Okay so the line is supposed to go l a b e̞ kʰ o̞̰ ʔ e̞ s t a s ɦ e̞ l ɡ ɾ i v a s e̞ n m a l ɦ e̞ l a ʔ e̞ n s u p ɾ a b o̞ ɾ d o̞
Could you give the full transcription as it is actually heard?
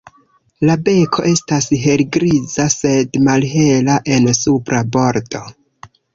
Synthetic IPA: l a b e̞ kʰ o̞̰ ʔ e̞ s t a s ɦ e̞ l ɡ ɾ i z a s e̞ d m a l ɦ e̞ l a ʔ e̞ n s u p ɾ a b o̞ ɾ d o̞